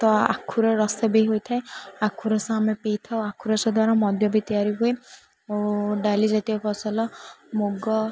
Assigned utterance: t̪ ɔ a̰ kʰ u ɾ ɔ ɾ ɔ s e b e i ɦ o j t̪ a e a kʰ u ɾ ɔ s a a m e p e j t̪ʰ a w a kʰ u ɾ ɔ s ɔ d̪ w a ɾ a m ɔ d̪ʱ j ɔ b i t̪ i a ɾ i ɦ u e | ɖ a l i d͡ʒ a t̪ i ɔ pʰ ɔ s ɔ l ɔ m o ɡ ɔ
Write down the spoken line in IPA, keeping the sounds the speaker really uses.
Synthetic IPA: t̪ ɔ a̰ kʰ u ɾ ɔ ɾ ɔ s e b e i ɦ o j t̪ʰ a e a kʰ u ɾ ɔ s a a m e p e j t̪ʰ a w a kʰ u ɾ ɔ s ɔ d̪ w a ɾ a m ɔ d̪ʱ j ɔ b i t̪ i a ɾ i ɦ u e | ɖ a l i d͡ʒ a t̪ i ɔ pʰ ɔ s ɔ l ɔ m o ɡ ɔ